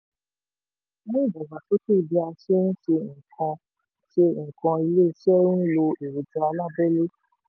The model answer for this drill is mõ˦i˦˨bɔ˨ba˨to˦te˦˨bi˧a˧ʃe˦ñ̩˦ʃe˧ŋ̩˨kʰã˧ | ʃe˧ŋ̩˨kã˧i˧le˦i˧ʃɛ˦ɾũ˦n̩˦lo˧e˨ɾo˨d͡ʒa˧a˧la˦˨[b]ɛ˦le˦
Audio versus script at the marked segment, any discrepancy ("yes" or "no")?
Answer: no